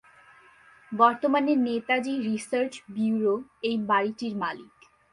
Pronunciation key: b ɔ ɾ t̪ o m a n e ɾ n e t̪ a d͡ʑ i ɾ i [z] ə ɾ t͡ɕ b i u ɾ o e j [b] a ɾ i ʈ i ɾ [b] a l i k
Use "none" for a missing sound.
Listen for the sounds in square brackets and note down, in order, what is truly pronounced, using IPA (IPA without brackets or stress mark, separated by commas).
s, b, m